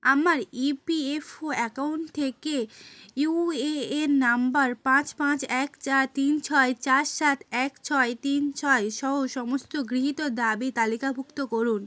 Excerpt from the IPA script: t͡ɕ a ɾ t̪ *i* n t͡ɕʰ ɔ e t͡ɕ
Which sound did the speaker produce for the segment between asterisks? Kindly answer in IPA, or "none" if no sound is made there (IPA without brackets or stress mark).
i